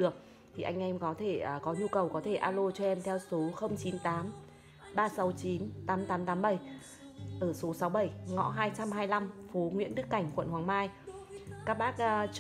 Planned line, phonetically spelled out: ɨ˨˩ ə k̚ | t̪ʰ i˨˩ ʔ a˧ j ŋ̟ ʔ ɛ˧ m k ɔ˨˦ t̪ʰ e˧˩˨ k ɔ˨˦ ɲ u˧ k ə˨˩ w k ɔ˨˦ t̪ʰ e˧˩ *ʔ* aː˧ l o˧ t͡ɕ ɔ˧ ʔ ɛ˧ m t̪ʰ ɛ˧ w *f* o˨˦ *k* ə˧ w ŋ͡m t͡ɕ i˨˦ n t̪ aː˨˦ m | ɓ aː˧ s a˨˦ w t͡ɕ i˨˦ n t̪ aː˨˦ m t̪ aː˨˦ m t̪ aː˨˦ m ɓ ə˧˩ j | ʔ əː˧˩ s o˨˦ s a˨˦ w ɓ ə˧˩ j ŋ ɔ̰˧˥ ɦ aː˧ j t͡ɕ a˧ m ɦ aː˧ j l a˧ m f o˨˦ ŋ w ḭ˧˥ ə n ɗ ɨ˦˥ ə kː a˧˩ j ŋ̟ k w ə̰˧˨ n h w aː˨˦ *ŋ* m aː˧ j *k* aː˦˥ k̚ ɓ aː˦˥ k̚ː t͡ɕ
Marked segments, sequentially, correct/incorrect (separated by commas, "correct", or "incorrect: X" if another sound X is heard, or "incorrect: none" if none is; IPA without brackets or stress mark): correct, incorrect: s, incorrect: x, correct, correct